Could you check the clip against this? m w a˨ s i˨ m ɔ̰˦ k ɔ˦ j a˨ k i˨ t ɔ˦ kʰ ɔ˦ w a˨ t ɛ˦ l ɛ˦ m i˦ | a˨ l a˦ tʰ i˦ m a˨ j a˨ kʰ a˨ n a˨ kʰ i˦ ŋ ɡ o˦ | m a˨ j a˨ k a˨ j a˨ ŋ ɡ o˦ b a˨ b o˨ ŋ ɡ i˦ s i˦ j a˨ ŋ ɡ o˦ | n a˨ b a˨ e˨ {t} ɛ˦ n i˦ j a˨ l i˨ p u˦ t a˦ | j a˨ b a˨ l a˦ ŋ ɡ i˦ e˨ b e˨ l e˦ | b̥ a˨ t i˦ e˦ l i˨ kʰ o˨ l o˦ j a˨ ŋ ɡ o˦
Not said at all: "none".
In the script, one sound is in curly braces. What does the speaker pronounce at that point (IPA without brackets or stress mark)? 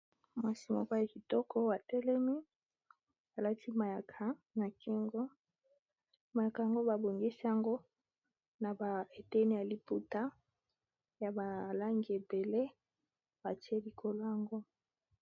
t